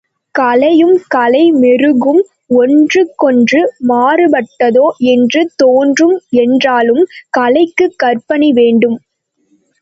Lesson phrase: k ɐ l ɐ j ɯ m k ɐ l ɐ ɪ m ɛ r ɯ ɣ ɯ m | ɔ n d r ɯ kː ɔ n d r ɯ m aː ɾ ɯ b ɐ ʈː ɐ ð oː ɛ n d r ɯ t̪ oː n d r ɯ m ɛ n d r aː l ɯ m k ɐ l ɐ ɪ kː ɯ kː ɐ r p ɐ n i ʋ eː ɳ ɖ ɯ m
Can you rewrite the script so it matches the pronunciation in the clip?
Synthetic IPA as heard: k ɐ l ɐ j ɯ m k ɐ l ɐ ɪ m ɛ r ɯ ɣ ɯ m | ɔ n d r ɯ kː ɔ n d r ɯ m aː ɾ ɯ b ɐ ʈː ɐ ð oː ɛ n d r ɯ t̪ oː n d r ɯ m ɛ n d r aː l ɯ m k ɐ l ɐ ɪ kː ɯ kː ɐ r p ɐ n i ʋ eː ɳ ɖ ɯ m

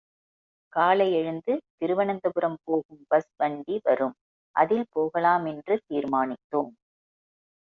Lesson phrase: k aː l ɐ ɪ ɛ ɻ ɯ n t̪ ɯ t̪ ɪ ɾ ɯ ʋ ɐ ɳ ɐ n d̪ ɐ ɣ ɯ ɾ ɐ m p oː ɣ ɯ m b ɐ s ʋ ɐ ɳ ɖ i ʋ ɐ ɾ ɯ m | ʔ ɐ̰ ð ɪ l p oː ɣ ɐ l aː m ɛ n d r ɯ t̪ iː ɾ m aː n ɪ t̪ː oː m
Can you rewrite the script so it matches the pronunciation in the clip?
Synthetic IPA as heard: k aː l ɐ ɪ ɛ ɻ ɯ n d̪ ɯ t̪ ɪ ɾ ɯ ʋ ɐ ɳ ɐ n d̪ ɐ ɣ ɯ ɾ ɐ m p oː ɣ ɯ m b ɐ s ʋ ɐ ɳ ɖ i ʋ ɐ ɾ ɯ m | ʔ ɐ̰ ð ɪ l p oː ɣ ɐ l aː m ɛ n d r ɯ t̪ iː ɾ m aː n ɪ t̪ː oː m

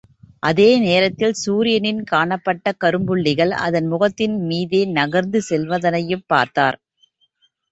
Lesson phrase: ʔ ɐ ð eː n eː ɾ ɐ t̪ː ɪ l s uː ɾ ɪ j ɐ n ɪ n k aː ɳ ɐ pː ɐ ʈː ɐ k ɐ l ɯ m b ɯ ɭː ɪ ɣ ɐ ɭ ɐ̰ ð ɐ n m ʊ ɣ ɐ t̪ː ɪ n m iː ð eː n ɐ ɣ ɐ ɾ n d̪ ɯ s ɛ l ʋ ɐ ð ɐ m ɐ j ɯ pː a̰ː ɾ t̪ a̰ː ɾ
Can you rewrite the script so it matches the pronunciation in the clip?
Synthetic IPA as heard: ʔ ɐ ð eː n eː ɾ ɐ t̪ː ɪ l s uː ɾ ɪ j ɐ n ɪ n k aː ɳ ɐ pː ɐ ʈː ɐ k ɐ ɾ ɯ m b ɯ ɭː ɪ ɣ ɐ ɭ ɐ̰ ð ɐ n m ʊ ɣ ɐ t̪ː ɪ n m iː ð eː n ɐ ɣ ɐ ɾ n d̪ ɯ s ɛ l ʋ ɐ ð ɐ n ɐ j ɯ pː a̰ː ɾ t̪ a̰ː ɾ

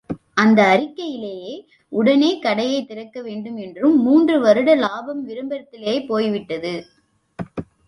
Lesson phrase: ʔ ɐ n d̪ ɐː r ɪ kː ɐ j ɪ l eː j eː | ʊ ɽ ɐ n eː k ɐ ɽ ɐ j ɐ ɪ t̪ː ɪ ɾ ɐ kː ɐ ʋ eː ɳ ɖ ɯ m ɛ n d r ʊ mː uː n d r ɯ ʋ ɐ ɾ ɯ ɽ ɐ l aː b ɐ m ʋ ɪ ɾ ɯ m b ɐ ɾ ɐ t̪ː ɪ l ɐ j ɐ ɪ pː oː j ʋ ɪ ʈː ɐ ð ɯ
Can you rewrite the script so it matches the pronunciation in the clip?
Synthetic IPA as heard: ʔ ɐ n d̪ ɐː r ɪ kː ɐ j ɪ l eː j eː | ʊ ɽ ɐ n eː k ɐ ɽ ɐ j ɐ ɪ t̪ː ɪ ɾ ɐ kː ɐ ʋ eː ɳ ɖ ɯ m ɛ n d r ɯ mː uː n d r ɯ ʋ ɐ ɾ ɯ ɽ ɐ l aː b ɐ m ʋ ɪ ɾ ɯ m b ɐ ɾ ɐ t̪ː ɪ l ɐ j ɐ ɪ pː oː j ʋ ɪ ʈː ɐ ð ɯ

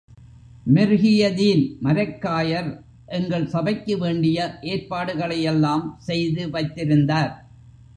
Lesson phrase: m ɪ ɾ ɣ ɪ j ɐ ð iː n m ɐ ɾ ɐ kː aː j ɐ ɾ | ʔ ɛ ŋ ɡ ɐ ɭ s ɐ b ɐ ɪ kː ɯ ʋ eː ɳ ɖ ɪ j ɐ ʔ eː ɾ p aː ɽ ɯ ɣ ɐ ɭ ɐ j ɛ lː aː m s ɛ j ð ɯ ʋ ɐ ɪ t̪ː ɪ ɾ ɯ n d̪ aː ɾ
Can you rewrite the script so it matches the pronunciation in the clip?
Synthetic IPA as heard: m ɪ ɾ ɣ ɪ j ɐ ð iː n m ɐ ɾ ɐ kː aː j ɐ ɾ | ʔ ɛ ŋ ɡ ɐ ɭ s ɐ b ɐ ɪ kː ɯ ʋ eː ɳ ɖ ɪ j ɐ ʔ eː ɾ p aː ɽ ɯ ɣ ɐ ɭ ɐ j ɛ lː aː m s ɛ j ð ɯ ʋ ɐ ɪ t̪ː ɪ ɾ ɯ n d̪ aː ɾ

